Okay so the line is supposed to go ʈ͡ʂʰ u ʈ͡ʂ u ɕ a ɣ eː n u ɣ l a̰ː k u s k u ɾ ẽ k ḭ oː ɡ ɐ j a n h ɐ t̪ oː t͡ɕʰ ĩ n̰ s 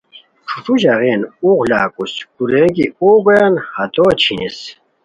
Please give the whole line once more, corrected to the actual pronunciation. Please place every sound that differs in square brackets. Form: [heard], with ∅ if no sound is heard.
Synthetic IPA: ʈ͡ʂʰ u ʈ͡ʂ u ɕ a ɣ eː n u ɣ l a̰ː k u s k u ɾ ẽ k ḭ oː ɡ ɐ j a n h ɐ t̪ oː t͡ɕʰ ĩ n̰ s

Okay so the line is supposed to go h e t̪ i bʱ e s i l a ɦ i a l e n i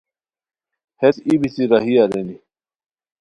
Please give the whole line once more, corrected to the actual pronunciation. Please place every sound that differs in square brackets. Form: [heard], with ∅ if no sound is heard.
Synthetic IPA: h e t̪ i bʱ [i] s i [ɾ] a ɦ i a [ɾ] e n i

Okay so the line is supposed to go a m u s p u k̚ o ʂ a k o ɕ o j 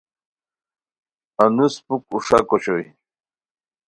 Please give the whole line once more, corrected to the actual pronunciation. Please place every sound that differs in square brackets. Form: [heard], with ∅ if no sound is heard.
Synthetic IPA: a [n] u s p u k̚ [u] ʂ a k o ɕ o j

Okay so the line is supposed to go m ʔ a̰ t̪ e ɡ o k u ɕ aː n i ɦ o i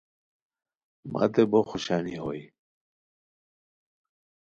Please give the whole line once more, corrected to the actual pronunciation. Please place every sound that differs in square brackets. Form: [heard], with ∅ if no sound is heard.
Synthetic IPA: m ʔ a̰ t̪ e [b] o [x] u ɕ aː n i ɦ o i

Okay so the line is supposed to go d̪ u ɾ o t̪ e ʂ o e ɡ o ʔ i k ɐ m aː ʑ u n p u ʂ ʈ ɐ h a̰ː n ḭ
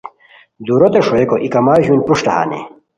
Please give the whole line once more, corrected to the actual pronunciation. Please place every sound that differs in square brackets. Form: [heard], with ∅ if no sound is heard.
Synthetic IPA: d̪ u ɾ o t̪ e ʂ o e [k] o ʔ i k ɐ m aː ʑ u n p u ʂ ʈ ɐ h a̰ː n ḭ

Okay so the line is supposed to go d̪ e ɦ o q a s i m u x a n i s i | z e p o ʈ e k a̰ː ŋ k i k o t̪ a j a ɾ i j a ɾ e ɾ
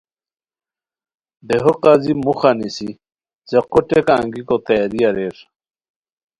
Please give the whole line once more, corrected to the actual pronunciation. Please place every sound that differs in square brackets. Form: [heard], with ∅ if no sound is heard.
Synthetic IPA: d̪ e ɦ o q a [z] i m u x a n i s i | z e [q] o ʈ e k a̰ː ŋ [ɡ] i k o t̪ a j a ɾ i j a ɾ e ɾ

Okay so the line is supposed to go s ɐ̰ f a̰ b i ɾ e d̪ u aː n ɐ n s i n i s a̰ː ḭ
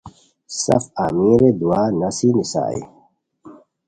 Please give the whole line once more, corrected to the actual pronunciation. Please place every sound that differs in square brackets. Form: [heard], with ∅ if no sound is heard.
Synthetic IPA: s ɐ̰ f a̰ [m] i ɾ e d̪ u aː n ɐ [∅] s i n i s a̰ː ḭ

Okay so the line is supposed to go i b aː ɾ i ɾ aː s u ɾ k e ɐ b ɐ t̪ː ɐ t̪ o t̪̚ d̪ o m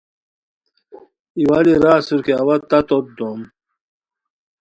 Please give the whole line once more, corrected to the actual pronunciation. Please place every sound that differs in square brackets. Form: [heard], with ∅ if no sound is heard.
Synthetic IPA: i [w] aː [l] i ɾ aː s u ɾ k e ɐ [w] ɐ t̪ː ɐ t̪ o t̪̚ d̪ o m

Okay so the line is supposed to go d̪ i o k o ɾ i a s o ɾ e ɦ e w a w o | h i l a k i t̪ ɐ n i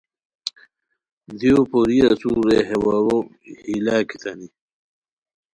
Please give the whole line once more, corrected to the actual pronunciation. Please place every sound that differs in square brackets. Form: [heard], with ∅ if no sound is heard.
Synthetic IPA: d̪ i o [p] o ɾ i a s [u] ɾ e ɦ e w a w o | h i l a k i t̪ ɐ n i

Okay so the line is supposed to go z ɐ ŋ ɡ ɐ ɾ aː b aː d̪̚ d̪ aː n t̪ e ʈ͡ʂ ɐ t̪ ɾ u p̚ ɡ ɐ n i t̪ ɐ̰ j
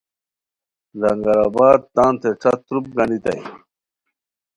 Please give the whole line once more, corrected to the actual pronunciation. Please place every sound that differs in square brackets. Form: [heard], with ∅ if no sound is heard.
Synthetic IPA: z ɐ ŋ ɡ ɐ ɾ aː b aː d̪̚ [t̪] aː n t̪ e ʈ͡ʂ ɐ t̪ ɾ u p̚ ɡ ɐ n i t̪ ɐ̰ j

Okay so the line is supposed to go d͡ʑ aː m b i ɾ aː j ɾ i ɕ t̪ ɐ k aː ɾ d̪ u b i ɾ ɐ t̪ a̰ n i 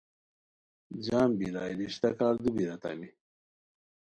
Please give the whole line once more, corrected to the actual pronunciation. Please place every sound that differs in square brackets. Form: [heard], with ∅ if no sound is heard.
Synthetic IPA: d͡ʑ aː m b i ɾ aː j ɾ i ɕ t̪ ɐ k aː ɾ d̪ u b i ɾ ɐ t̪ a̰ [m] i

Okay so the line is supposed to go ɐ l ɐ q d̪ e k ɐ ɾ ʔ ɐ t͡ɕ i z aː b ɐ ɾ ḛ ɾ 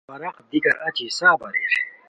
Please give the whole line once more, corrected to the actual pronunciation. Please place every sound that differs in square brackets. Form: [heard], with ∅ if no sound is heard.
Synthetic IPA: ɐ [ɾ] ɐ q d̪ [i] k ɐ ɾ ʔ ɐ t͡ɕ i [s] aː b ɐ ɾ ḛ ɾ

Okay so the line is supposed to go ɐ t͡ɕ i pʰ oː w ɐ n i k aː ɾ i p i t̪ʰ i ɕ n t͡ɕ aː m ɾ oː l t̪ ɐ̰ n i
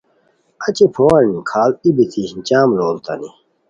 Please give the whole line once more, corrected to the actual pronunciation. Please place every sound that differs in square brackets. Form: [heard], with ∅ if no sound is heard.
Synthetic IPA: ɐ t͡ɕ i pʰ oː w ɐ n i [kʰ] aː [l] i [b] i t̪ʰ i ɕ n t͡ɕ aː m [l] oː l t̪ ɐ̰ n i

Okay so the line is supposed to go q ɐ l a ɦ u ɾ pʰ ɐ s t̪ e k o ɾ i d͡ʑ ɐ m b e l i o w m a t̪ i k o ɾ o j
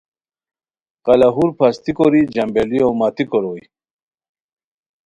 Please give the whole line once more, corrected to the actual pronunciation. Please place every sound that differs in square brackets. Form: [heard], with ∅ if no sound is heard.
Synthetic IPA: q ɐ l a ɦ u ɾ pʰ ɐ s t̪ [i] k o ɾ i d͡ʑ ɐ m b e l i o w m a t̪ i k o ɾ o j

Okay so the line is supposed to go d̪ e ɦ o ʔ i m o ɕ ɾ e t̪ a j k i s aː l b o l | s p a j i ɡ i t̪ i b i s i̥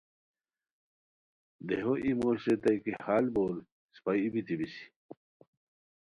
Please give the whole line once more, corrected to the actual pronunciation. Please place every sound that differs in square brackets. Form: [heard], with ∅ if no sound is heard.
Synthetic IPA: d̪ e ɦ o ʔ i m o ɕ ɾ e t̪ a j k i [h] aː l b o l | s p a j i [b] i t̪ i b i s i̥

